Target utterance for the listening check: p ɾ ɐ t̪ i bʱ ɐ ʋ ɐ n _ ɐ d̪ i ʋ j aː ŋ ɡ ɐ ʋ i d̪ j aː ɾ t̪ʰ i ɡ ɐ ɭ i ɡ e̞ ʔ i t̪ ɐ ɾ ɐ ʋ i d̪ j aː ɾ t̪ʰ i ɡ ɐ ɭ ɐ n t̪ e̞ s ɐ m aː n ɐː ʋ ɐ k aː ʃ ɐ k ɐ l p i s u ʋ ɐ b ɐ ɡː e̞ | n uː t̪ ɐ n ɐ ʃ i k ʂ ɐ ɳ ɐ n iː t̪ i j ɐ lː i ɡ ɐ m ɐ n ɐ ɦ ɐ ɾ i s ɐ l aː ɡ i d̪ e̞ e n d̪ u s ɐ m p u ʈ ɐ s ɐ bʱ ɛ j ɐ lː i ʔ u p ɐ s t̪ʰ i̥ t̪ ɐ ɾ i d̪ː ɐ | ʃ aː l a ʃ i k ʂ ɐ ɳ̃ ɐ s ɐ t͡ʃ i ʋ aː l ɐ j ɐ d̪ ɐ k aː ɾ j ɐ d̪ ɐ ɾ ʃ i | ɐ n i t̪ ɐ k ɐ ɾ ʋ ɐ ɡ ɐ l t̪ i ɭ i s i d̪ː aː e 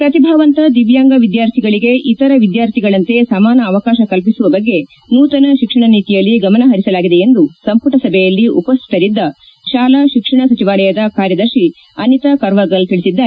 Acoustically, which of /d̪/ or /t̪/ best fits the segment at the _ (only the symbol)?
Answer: t̪